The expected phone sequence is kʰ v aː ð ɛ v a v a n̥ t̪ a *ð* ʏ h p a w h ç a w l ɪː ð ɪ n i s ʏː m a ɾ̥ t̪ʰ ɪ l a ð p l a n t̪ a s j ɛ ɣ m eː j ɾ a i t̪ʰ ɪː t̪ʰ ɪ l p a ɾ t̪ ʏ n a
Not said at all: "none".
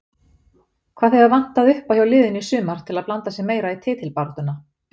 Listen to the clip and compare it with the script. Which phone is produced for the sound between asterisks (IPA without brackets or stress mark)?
ð